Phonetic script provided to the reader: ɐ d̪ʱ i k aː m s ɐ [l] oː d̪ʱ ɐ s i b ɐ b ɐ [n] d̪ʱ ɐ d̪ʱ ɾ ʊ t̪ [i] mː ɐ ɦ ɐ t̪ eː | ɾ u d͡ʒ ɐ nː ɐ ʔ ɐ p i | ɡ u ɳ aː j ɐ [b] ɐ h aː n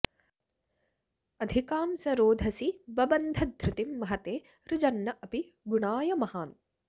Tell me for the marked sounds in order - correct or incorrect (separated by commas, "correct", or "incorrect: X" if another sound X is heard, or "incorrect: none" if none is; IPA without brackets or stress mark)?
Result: incorrect: ɾ, correct, correct, incorrect: m